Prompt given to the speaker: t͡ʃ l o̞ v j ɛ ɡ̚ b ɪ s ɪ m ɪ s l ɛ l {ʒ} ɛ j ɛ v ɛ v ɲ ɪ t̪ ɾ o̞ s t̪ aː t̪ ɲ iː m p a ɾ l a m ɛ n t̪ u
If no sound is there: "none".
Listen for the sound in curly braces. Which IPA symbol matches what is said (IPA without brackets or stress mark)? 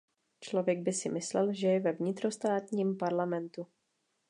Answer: ʒ